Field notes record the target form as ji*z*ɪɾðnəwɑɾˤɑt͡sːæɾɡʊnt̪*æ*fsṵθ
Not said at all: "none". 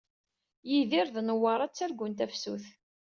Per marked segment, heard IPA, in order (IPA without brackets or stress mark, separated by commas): ð, æ